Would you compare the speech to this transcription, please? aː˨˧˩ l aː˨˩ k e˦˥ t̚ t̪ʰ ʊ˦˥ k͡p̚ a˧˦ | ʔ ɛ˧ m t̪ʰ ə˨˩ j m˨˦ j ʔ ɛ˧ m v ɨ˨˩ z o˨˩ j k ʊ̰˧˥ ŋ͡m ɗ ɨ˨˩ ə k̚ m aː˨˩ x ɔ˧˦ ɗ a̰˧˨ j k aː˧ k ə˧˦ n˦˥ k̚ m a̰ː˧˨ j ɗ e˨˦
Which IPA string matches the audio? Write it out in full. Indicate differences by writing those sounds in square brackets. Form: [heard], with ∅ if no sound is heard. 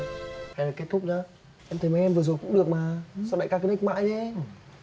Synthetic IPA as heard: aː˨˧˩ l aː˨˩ k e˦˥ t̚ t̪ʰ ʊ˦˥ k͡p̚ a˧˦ | ʔ ɛ˧ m t̪ʰ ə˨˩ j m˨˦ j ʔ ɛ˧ m v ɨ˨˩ z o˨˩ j k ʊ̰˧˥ ŋ͡m ɗ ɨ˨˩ ə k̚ m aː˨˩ [s] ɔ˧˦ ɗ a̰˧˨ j k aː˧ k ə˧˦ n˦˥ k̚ m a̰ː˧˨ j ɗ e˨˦